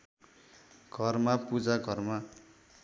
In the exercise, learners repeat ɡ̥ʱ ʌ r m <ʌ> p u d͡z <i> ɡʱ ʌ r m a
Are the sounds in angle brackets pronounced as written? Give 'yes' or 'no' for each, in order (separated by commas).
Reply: no, no